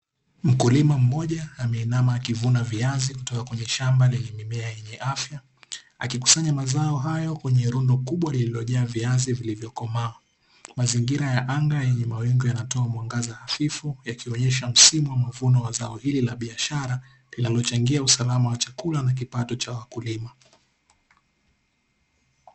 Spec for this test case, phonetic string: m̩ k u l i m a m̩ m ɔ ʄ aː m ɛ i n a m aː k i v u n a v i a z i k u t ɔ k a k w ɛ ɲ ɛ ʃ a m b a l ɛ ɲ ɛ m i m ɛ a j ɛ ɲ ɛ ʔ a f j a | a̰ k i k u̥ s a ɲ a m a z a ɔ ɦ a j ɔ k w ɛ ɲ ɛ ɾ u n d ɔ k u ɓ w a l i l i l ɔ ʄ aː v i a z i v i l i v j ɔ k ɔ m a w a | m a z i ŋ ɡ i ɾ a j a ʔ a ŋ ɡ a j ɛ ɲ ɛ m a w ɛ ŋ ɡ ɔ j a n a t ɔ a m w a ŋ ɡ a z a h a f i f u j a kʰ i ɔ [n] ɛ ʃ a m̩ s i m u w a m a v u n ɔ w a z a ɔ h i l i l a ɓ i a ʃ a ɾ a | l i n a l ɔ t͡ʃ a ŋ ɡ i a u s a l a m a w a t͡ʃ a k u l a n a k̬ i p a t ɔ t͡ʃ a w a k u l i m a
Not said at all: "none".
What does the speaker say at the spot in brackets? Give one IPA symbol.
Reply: ɲ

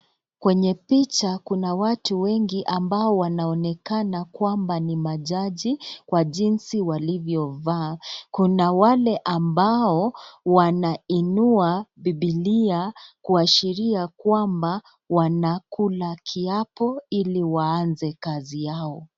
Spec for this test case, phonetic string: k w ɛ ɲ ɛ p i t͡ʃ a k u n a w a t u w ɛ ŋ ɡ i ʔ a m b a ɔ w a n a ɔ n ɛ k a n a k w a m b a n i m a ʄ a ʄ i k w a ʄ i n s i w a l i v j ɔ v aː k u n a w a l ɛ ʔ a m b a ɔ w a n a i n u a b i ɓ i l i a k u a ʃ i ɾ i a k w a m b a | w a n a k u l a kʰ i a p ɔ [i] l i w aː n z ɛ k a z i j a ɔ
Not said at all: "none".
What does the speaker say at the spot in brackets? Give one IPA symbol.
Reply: i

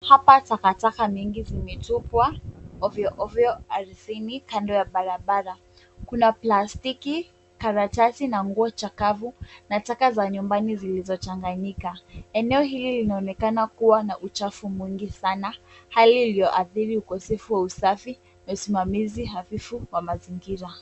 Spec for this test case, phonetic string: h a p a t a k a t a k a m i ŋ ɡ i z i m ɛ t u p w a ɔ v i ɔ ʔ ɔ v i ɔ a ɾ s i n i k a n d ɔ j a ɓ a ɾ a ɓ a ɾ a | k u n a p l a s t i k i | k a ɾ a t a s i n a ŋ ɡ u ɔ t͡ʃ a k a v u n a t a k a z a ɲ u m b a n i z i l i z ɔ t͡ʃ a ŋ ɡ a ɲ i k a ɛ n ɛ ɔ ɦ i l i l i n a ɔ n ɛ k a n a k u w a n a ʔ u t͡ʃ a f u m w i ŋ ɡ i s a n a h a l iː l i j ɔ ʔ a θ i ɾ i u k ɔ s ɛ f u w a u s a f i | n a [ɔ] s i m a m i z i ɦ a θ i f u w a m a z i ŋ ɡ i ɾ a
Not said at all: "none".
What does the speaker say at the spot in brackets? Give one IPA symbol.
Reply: u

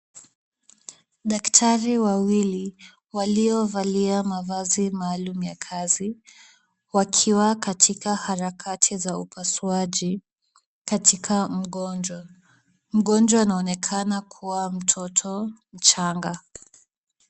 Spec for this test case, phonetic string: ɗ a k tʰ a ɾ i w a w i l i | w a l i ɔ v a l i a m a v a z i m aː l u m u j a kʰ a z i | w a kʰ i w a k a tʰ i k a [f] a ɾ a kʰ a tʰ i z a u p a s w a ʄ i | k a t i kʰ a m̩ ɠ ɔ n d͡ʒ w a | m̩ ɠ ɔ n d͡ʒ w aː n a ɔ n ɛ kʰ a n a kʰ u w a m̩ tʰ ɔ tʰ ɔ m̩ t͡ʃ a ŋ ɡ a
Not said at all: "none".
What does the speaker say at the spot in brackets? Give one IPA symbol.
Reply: h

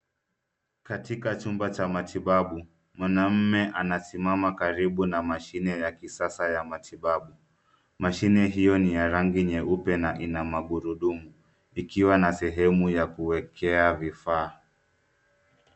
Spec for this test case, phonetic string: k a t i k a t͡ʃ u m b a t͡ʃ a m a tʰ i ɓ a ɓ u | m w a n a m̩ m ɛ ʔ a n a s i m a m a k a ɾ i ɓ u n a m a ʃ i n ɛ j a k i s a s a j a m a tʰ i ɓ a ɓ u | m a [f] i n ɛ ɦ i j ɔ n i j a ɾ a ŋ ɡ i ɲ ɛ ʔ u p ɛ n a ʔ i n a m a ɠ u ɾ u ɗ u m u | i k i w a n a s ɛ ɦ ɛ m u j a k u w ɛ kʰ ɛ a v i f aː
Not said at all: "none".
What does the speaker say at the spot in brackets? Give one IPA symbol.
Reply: ʃ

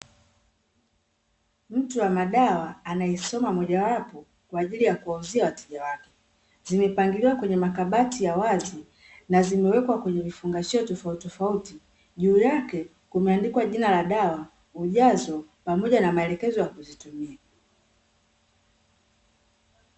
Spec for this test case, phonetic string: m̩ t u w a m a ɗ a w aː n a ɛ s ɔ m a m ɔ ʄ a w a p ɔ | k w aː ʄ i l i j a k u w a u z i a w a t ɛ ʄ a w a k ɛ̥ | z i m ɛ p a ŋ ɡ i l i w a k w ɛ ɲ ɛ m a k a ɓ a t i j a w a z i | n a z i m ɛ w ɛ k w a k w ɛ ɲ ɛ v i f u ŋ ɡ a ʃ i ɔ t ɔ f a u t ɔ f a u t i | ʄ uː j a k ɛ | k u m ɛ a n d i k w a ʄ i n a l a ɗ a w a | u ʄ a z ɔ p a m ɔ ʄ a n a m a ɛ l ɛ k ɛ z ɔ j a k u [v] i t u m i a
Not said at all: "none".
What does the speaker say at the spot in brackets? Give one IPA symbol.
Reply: z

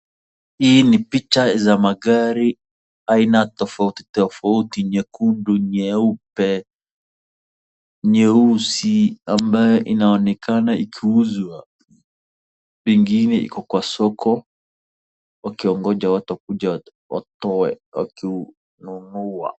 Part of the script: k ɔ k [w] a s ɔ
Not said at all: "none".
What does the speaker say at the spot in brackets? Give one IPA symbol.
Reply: w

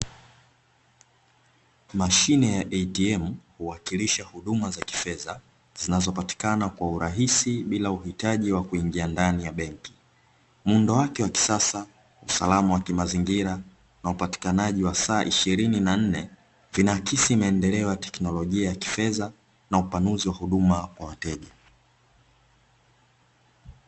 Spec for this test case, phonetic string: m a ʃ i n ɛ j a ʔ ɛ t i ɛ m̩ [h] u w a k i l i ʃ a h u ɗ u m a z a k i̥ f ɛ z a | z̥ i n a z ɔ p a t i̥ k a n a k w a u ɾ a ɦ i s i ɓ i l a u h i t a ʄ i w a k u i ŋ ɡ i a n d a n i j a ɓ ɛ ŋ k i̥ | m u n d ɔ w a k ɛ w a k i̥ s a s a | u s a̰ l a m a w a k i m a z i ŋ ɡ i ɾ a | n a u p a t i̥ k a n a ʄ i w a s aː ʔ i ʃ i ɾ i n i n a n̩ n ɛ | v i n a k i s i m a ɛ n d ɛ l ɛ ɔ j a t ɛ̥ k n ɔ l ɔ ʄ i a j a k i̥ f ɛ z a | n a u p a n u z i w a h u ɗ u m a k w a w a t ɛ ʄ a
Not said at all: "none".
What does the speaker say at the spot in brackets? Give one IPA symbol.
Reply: h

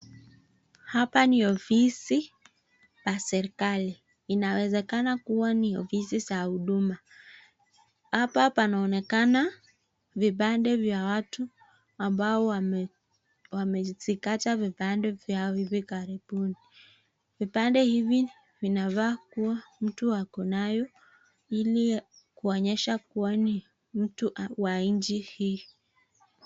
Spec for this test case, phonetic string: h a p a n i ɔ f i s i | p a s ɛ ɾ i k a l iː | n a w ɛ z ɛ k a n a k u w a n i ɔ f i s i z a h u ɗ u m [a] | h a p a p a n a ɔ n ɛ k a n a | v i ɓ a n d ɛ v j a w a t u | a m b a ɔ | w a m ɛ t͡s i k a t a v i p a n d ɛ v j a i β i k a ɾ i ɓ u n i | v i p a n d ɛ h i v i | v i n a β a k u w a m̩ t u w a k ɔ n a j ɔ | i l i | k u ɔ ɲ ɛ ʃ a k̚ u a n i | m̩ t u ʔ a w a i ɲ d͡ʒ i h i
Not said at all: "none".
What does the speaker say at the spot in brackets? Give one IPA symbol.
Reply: a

